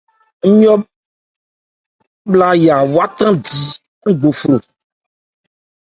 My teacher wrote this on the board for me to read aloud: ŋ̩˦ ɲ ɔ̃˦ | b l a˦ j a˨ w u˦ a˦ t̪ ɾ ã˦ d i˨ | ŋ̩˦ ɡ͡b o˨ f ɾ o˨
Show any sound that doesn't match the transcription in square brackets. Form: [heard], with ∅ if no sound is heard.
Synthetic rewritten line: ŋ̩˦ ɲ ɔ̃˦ | b l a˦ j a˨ w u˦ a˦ t̪ ɾ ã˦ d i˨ | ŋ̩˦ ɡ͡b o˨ f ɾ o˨